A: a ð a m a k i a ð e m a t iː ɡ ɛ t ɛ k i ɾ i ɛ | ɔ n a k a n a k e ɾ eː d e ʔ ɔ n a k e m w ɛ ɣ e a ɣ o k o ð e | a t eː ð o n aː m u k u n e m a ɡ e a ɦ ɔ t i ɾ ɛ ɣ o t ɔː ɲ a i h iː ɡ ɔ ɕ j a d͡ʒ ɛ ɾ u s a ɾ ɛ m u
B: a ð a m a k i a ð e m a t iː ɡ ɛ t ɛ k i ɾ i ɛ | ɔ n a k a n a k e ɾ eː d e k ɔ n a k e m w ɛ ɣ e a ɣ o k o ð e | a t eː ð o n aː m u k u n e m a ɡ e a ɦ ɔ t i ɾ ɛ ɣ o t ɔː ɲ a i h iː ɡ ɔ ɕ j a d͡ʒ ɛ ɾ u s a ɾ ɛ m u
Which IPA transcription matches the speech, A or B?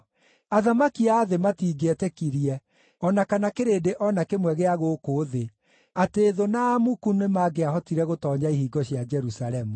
A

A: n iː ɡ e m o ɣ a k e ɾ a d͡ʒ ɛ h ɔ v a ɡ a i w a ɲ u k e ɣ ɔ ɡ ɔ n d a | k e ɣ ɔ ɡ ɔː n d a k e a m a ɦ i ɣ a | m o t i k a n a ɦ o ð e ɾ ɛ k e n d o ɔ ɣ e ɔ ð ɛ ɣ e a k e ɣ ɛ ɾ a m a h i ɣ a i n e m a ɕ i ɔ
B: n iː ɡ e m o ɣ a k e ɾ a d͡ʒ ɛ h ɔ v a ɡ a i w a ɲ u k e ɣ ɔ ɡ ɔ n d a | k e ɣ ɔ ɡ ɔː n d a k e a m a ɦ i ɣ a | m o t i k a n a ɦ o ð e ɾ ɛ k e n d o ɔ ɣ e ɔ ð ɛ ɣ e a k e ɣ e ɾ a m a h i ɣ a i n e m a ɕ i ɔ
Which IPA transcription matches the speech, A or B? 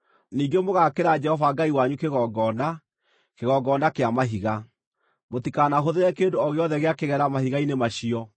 A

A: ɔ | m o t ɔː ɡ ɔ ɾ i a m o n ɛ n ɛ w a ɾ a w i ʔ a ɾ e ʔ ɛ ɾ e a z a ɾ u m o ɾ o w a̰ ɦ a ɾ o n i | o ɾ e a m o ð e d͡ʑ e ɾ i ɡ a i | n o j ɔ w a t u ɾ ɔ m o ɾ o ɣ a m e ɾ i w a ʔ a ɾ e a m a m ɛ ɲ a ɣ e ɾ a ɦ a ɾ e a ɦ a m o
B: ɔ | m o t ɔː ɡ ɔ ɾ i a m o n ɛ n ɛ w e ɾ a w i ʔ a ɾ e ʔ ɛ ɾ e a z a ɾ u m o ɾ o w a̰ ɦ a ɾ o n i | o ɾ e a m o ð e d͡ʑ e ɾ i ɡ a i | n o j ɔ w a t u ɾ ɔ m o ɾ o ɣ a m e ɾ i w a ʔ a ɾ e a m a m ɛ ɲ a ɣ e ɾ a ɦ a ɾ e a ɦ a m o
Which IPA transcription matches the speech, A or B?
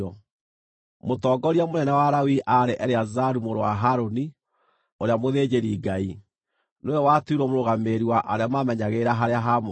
A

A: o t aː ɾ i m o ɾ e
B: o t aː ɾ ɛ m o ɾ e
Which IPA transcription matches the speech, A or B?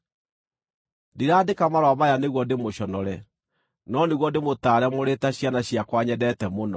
B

